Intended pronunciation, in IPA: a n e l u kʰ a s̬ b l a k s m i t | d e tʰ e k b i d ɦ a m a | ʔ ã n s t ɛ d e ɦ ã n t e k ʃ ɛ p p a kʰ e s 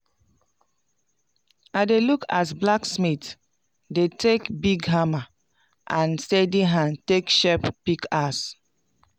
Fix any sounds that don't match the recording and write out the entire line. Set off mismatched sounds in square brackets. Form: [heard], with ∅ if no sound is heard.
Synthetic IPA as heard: a [d] e l u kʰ a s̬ b l a k s m i t | d e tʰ e k b i [ɡ] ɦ a m a | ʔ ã n s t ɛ d [i] ɦ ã n t e k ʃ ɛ p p [i] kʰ [a] s